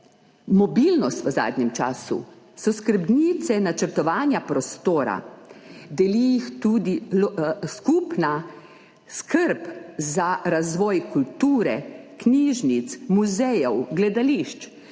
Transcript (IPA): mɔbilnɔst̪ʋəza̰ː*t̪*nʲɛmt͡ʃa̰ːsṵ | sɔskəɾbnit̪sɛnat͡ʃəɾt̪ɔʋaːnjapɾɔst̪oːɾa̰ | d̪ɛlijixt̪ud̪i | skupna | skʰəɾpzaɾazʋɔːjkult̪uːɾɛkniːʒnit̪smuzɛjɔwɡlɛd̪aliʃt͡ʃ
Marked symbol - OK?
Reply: no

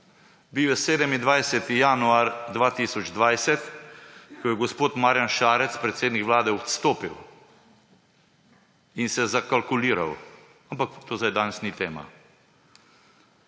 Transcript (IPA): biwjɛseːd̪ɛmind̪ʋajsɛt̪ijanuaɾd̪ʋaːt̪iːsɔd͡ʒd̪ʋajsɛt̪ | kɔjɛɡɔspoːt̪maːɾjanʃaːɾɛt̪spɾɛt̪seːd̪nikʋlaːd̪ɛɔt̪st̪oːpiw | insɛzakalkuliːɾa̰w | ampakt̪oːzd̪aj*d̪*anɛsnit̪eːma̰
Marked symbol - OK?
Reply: yes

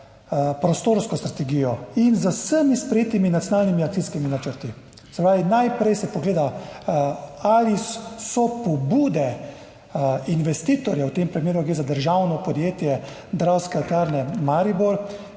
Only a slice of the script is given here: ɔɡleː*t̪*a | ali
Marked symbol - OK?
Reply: no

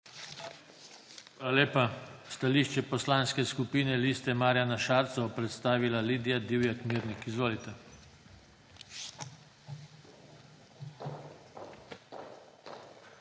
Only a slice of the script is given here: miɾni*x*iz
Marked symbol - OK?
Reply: no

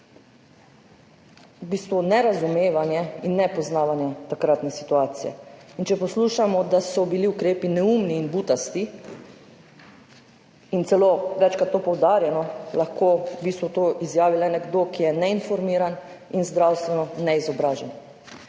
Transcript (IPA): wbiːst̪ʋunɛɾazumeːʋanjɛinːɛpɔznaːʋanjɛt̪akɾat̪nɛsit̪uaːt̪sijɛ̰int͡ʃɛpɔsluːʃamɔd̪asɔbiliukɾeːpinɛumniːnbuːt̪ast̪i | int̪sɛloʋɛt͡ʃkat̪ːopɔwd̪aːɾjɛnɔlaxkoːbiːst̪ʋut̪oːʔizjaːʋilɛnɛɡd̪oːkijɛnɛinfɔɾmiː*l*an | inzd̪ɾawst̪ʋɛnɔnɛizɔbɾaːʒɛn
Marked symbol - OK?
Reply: no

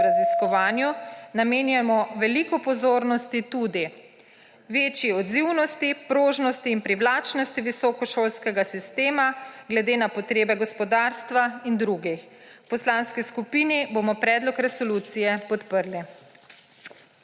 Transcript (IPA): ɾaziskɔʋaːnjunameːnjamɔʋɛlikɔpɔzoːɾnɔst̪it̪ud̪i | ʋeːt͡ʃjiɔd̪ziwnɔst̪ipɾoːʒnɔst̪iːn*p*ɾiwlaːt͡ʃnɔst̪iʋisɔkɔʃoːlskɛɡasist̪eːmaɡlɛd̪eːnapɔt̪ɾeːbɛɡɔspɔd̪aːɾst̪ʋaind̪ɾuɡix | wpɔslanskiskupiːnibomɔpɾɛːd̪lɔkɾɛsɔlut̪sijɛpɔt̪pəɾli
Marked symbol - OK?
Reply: yes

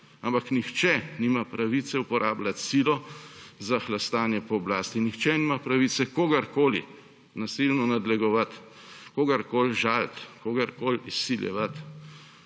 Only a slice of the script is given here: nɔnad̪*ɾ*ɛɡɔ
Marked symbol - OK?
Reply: no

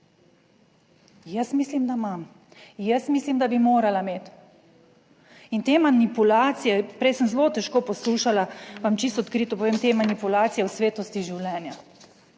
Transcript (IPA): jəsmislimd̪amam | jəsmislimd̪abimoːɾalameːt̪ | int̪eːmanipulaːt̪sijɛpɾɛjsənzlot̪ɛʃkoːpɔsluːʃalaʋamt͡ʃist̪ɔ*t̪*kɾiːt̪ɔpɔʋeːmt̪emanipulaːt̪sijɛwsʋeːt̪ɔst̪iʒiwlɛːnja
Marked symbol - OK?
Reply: yes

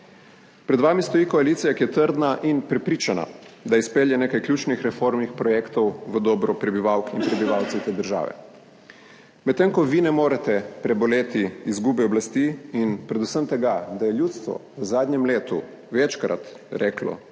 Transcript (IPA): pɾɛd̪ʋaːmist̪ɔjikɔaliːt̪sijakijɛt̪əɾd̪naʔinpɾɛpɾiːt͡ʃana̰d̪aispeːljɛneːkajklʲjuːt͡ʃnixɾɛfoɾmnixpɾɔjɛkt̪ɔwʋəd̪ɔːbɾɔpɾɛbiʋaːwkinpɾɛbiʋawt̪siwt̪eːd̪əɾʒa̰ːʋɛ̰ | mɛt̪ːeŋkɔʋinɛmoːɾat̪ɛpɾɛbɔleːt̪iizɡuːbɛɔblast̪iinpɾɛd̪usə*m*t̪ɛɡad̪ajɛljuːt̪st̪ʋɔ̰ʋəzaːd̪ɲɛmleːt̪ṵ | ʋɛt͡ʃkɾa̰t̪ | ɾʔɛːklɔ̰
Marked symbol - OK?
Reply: yes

